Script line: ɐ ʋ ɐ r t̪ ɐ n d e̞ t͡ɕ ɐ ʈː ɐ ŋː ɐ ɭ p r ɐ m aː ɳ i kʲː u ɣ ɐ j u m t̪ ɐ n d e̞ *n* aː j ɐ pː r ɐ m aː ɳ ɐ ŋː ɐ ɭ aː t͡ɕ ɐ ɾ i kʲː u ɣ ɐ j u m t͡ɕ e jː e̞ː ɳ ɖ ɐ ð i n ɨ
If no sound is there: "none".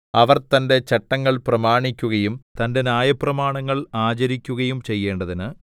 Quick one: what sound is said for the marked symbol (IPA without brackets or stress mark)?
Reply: n